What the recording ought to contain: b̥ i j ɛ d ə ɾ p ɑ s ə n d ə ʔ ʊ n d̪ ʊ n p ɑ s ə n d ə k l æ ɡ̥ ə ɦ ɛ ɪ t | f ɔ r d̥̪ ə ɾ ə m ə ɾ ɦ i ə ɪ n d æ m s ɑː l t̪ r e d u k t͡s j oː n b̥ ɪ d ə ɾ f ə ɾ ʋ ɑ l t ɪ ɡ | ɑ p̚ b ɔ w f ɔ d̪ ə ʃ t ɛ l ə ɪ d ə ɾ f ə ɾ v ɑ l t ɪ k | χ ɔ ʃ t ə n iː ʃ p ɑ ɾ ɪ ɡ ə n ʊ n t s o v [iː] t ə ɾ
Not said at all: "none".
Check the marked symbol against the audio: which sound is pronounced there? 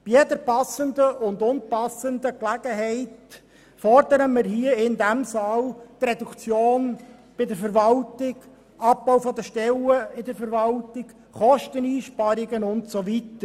i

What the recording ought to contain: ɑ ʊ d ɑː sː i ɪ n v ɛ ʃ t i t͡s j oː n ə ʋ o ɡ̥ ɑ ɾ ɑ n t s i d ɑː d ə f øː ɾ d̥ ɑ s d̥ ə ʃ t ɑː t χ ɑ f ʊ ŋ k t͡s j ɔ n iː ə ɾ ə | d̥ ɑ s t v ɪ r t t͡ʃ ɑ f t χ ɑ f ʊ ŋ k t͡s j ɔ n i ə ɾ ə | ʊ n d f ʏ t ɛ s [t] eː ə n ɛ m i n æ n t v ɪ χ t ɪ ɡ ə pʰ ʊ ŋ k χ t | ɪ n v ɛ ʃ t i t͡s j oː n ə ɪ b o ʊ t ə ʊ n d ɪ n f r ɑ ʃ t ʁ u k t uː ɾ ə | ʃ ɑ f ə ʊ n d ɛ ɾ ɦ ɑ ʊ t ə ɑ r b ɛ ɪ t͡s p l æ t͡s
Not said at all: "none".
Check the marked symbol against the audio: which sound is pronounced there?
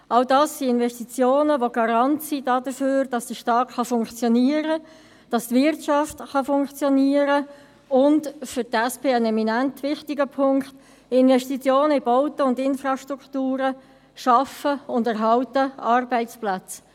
p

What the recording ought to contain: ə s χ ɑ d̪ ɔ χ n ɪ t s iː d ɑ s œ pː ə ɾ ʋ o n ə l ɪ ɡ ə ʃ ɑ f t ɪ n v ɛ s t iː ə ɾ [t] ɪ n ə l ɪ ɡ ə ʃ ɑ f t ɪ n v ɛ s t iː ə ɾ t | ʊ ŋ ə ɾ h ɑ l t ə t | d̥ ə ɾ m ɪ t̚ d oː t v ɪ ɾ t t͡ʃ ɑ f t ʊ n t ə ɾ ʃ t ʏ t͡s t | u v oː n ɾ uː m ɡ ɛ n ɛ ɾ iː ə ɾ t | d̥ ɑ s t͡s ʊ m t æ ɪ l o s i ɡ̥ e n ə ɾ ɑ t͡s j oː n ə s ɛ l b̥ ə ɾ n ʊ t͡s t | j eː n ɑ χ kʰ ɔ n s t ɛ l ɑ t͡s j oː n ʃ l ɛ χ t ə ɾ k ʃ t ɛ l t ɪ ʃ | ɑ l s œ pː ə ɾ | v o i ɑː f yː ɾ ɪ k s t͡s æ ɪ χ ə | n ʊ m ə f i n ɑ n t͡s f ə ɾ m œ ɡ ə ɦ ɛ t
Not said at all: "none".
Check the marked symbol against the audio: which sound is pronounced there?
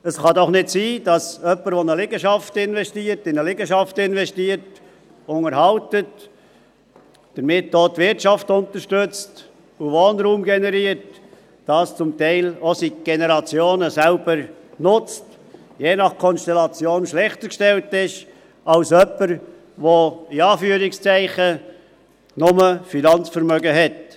t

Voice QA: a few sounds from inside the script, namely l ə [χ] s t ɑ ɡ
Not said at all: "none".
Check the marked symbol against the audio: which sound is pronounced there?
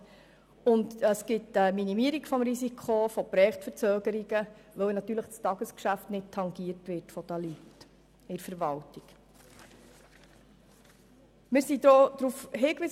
χ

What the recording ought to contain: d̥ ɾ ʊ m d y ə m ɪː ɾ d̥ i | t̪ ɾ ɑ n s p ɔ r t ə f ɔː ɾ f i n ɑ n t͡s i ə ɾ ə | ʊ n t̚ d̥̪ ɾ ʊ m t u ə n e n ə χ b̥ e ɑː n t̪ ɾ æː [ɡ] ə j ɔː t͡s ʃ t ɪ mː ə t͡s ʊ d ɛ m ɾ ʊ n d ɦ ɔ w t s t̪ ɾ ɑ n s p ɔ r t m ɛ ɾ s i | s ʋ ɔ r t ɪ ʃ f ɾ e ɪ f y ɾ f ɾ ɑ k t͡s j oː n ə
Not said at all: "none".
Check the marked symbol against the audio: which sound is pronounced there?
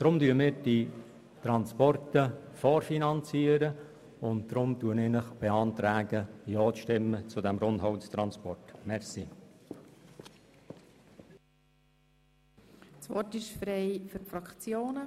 ɡ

